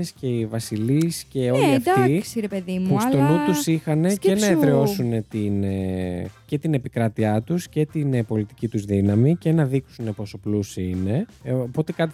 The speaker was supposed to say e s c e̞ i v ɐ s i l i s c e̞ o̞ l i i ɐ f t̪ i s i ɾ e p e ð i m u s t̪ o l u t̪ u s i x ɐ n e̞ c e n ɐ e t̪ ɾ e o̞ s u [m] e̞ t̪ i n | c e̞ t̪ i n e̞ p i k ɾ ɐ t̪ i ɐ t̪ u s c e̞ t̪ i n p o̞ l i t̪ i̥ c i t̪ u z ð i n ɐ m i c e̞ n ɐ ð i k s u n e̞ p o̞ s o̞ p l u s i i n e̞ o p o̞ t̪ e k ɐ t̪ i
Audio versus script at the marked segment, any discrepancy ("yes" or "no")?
yes